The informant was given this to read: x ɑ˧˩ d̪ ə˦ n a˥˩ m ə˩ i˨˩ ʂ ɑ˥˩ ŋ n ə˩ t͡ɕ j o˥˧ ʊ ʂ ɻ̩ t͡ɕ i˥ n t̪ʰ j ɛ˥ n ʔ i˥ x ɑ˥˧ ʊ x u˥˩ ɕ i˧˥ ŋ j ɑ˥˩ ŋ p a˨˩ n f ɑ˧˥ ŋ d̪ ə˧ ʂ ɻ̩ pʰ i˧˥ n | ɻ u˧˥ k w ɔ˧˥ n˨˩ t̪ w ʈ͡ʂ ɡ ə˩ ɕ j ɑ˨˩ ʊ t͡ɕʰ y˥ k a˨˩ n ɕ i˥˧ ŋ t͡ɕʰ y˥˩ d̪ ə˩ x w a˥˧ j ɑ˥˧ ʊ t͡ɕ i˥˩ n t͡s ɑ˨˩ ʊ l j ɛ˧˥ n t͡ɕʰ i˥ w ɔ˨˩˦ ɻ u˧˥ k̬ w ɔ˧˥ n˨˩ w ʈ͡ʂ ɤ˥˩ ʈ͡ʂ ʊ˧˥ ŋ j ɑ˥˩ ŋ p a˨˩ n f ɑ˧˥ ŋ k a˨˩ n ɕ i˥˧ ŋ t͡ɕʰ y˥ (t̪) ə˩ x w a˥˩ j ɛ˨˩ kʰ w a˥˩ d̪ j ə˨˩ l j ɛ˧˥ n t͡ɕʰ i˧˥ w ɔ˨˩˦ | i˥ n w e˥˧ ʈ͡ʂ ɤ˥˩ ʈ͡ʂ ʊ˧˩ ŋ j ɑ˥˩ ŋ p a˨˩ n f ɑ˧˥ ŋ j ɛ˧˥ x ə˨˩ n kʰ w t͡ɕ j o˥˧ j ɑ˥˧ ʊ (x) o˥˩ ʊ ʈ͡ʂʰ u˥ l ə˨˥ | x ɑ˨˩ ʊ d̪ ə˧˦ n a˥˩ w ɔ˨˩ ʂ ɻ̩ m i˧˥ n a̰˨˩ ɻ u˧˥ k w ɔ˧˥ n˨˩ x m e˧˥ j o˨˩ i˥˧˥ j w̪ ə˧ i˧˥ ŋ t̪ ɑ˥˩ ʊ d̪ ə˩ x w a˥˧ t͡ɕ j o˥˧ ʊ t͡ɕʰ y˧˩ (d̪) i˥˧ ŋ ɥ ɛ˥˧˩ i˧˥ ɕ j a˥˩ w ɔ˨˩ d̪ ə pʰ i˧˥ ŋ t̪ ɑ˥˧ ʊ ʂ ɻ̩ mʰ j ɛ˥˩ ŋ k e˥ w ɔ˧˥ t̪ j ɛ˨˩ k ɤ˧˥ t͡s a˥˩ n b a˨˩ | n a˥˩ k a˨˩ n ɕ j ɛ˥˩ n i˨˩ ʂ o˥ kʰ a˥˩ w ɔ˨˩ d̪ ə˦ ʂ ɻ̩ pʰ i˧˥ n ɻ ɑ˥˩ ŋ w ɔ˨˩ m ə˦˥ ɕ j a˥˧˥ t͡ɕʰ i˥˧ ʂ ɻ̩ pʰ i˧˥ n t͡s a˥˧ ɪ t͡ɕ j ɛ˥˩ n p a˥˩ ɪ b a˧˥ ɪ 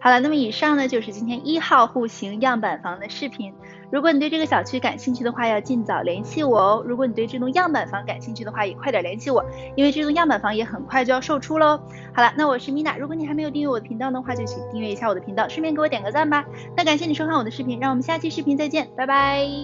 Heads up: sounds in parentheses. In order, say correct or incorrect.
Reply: incorrect: d̪, incorrect: ʂ, incorrect: t̪

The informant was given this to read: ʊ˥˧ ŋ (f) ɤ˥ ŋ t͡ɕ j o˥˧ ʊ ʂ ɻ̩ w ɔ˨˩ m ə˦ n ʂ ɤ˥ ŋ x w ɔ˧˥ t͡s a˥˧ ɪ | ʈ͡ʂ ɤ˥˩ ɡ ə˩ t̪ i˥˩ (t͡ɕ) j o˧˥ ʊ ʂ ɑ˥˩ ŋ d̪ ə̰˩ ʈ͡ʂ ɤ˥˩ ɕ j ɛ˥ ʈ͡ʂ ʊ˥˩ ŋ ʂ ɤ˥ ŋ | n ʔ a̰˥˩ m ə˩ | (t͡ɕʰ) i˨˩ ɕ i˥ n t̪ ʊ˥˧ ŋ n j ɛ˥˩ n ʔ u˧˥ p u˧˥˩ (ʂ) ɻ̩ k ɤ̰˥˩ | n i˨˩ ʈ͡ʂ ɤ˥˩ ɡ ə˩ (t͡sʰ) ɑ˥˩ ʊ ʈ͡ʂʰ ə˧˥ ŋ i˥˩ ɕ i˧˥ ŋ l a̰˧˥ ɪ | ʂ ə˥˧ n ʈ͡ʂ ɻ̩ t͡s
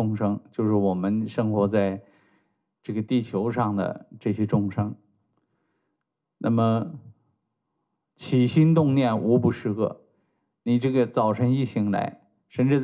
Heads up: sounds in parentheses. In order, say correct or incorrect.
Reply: incorrect: ʂ, incorrect: t͡ɕʰ, correct, correct, incorrect: t͡s

